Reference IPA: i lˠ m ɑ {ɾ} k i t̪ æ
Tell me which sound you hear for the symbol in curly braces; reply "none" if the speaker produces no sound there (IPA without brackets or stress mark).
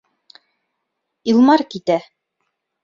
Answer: ɾ